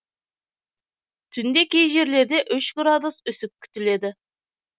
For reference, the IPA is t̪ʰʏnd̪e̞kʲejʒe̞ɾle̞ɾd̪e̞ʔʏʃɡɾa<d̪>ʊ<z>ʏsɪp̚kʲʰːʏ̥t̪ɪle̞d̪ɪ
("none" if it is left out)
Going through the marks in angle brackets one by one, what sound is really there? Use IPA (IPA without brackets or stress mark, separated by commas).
d̪, s